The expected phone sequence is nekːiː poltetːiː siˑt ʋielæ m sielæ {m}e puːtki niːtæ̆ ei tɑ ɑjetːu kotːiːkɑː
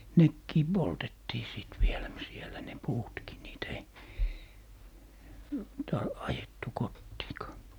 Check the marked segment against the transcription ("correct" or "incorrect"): incorrect